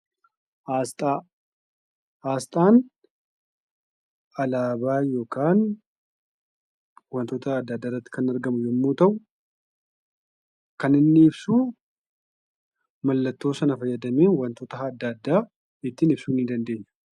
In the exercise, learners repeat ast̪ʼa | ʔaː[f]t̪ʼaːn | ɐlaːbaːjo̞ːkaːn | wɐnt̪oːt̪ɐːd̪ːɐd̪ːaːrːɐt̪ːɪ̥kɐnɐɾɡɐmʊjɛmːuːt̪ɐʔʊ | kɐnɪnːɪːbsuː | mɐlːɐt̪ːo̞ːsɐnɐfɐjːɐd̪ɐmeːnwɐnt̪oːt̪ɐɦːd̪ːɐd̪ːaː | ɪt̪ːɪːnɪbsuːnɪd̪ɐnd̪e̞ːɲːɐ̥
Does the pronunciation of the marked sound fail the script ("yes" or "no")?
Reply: yes